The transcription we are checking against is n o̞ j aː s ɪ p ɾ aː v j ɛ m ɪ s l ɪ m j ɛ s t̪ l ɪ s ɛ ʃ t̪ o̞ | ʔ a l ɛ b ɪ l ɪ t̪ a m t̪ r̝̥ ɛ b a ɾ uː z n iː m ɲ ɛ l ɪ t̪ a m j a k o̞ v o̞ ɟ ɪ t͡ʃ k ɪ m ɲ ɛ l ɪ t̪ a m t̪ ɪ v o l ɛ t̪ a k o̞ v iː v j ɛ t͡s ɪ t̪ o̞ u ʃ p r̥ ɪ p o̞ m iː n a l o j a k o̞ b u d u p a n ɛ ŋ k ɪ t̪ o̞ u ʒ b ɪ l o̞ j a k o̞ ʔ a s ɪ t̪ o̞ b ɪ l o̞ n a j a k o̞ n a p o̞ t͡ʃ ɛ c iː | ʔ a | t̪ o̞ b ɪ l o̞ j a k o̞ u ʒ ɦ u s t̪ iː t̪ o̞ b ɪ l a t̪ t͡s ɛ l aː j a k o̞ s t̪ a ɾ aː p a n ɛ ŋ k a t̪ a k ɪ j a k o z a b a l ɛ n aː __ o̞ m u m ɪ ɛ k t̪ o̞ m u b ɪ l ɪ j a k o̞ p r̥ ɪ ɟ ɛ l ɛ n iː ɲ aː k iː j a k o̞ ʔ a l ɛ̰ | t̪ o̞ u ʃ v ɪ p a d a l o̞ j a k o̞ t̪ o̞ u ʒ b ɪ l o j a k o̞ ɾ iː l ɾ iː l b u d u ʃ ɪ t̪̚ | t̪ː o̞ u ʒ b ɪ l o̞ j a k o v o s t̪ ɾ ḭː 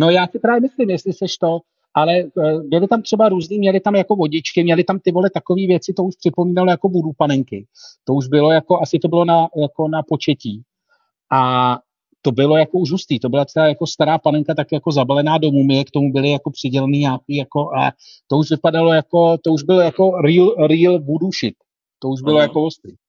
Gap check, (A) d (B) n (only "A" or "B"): A